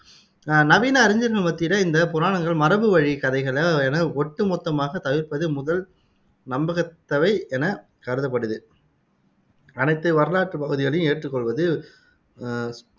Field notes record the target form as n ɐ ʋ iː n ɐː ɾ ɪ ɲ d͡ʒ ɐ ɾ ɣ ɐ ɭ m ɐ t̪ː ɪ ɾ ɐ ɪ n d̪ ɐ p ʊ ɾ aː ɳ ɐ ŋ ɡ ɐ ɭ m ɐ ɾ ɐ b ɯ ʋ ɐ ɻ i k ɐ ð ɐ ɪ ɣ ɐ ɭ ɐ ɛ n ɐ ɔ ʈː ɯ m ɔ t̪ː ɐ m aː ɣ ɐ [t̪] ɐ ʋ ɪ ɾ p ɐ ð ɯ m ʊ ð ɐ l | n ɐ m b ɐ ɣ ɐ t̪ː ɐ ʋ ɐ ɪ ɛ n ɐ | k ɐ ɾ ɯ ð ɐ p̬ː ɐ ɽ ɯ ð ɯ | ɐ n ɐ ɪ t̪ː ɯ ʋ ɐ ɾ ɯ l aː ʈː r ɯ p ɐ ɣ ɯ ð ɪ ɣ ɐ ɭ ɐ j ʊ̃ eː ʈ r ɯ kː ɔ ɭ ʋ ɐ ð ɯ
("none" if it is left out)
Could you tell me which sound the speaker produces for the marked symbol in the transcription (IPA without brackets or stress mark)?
t̪